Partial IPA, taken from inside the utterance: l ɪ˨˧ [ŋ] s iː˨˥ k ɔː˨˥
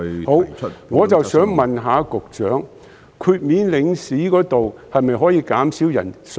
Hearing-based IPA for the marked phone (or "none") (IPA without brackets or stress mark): ŋ